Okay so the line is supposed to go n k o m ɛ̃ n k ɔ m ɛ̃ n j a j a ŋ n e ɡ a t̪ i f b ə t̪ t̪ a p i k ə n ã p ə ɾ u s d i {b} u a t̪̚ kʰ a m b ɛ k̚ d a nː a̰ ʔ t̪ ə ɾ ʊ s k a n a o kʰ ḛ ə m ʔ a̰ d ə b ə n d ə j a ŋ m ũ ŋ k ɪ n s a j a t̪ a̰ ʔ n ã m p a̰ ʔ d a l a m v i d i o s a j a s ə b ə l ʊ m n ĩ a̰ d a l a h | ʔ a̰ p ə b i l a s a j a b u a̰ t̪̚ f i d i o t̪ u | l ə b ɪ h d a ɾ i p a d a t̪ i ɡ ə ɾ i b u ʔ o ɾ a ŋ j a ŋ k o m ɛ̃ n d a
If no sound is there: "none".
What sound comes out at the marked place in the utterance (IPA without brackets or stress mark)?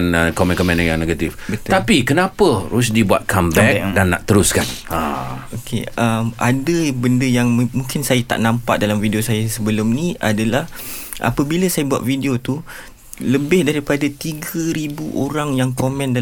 b